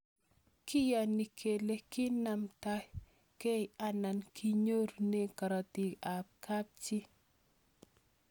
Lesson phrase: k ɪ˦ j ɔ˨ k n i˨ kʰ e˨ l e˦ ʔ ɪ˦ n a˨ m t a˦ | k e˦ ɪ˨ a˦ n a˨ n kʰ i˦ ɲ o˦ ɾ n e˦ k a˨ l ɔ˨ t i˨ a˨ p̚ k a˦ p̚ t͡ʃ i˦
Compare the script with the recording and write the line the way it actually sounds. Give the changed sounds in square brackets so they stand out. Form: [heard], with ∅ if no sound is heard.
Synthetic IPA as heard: k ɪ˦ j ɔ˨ [∅] n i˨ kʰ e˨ l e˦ [k] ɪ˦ n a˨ m t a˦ | k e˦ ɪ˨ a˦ n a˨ n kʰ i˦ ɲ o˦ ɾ n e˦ k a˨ [ɾ] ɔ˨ t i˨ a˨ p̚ k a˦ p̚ t͡ʃ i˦